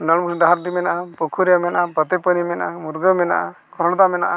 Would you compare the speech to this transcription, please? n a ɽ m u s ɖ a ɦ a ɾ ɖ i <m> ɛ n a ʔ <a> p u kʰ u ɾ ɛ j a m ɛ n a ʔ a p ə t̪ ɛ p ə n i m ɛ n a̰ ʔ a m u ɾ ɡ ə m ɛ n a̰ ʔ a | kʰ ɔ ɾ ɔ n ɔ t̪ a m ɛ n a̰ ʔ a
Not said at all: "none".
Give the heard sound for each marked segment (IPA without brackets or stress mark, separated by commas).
m, a